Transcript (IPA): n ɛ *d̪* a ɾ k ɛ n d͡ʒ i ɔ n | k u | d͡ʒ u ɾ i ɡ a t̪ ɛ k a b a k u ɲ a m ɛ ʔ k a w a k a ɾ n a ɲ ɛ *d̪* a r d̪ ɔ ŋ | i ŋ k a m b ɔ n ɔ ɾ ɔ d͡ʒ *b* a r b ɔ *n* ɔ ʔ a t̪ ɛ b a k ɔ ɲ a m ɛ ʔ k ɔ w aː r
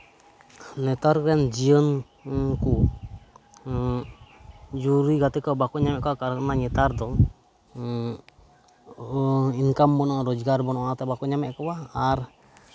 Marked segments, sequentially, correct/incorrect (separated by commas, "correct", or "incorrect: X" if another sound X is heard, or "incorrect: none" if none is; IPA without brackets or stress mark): incorrect: t̪, incorrect: t̪, incorrect: ɡ, correct